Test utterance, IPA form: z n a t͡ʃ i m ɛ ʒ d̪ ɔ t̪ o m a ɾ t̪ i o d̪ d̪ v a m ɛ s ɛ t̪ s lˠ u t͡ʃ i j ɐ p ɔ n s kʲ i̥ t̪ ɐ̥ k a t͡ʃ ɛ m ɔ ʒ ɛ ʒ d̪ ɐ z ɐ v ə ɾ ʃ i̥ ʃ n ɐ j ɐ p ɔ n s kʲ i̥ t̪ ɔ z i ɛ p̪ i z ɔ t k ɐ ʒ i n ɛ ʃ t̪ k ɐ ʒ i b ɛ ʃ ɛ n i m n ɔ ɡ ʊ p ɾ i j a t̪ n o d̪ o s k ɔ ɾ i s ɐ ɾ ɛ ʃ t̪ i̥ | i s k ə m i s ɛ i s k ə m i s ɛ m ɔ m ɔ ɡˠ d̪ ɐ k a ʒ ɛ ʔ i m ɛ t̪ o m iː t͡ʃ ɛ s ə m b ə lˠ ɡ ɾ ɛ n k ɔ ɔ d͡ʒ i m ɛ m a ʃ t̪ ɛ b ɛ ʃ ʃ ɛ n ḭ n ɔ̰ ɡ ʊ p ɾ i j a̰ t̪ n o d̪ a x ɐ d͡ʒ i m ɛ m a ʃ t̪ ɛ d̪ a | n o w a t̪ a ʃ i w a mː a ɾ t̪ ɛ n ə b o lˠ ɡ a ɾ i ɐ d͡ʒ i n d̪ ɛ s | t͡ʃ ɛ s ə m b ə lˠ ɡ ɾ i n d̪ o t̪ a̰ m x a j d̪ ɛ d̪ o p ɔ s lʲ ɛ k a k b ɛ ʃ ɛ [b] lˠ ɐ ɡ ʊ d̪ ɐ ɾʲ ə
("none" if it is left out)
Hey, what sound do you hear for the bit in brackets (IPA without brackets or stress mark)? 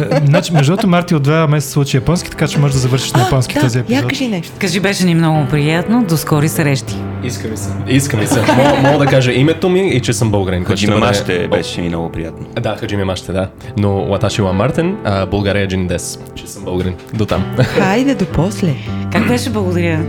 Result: b